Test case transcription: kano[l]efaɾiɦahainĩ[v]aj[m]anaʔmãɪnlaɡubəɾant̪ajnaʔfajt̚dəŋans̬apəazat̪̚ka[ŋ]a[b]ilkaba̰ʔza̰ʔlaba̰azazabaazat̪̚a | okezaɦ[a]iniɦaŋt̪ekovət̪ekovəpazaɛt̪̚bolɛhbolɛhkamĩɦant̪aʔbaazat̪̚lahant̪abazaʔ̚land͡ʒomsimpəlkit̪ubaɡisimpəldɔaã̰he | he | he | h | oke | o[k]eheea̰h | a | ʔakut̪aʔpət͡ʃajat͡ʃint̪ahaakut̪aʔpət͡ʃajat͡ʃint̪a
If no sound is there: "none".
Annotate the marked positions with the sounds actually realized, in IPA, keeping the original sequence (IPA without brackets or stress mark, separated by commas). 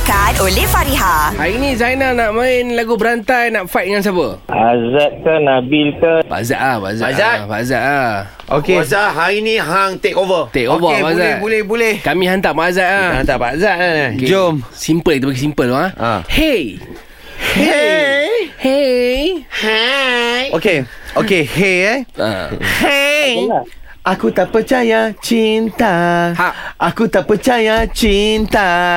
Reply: l, z, n, n, b, a, k